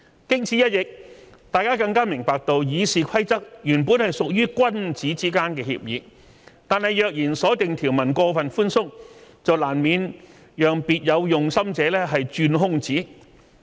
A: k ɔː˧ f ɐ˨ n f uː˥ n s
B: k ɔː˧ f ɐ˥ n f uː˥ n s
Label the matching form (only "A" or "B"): A